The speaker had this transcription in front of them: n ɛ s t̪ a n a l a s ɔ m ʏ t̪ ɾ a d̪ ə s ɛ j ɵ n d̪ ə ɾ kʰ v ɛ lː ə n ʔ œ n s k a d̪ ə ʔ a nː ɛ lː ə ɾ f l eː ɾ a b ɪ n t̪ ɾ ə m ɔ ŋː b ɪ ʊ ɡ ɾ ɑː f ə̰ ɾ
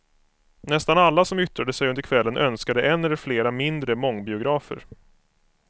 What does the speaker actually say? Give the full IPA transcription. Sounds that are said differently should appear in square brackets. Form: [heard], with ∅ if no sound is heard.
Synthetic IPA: n ɛ s t̪ a n a [lː] a s ɔ m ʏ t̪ ɾ a d̪ ə s ɛ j ɵ n d̪ ə ɾ kʰ v ɛ lː ə n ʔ œ n s k a d̪ ə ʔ [ɛ] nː ɛ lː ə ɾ f l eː ɾ a [m] ɪ n [d̪] ɾ ə m ɔ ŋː b ɪ ʊ ɡ ɾ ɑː f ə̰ ɾ